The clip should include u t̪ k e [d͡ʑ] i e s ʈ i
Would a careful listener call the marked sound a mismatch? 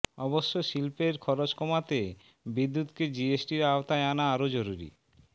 no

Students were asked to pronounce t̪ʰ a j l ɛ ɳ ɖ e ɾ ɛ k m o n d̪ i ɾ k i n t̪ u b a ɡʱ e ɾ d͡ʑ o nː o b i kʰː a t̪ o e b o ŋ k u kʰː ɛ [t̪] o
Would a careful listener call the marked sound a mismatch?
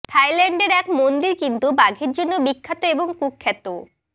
no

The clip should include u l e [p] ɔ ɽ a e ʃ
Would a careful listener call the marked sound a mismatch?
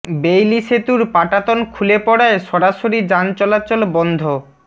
no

